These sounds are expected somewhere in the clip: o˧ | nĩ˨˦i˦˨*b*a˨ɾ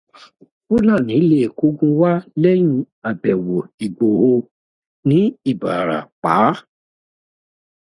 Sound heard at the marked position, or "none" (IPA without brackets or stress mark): b